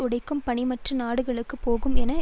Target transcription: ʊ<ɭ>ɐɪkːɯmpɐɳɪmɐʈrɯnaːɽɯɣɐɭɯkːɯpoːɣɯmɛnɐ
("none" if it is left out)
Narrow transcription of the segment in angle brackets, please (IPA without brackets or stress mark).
ɽ